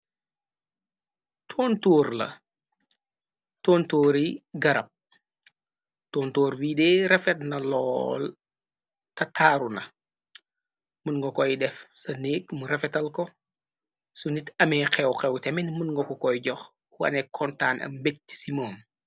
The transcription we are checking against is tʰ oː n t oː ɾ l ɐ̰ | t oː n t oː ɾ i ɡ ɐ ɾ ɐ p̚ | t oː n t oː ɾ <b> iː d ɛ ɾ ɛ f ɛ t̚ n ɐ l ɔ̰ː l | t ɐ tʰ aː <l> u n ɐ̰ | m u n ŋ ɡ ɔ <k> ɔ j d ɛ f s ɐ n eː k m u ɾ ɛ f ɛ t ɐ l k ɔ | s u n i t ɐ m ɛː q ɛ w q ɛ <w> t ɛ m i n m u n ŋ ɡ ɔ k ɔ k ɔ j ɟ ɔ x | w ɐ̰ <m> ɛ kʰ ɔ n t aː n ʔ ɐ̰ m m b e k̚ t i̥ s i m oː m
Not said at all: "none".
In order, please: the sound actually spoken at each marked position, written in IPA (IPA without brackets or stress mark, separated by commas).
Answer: w, ɾ, k, w, n